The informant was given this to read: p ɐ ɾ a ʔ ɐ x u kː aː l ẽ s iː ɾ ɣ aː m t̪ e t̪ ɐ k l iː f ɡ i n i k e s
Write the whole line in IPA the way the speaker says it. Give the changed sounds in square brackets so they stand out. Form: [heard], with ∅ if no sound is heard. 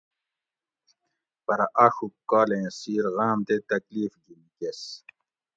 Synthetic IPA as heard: p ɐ ɾ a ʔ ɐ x u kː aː l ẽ s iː ɾ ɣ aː m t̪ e t̪ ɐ k l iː f ɡ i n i k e s